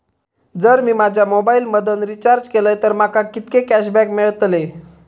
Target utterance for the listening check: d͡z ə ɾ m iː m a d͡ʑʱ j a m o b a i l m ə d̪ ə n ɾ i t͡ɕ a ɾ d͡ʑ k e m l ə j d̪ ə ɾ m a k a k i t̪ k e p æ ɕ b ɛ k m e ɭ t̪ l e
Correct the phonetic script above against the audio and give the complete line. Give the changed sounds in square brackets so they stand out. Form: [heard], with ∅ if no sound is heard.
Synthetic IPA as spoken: d͡z ə ɾ m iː m a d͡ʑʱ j a m o b a i l m ə d̪ ə n ɾ i t͡ɕ a ɾ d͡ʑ k e [∅] l ə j [t̪] ə ɾ m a k a k i t̪ k e [k] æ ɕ b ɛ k m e ɭ t̪ l e